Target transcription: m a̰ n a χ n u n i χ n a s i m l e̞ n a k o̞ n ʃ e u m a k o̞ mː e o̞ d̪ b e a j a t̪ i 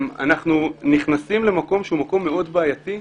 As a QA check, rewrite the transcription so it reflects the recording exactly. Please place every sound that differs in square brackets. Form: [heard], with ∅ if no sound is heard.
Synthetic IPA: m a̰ n a χ n u n i χ n a s i m l e̞ [m] a k o̞ [m] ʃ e u m a k o̞ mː e o̞ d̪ b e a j a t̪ i